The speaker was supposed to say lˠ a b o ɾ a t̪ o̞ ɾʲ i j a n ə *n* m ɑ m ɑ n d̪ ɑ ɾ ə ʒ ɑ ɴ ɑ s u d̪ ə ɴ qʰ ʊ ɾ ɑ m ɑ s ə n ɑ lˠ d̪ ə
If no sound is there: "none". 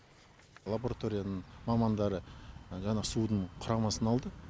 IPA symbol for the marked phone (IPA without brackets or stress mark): ɴ